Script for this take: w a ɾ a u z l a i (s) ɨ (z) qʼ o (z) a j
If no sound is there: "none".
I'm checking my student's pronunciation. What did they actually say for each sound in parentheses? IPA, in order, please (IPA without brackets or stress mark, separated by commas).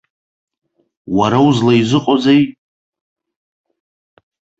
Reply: z, none, z